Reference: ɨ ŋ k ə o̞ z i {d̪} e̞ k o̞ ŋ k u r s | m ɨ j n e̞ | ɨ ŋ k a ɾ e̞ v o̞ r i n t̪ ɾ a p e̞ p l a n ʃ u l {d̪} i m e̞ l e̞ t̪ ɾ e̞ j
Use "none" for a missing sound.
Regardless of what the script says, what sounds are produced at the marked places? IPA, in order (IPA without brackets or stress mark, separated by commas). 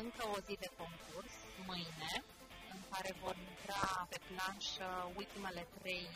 d̪, t̪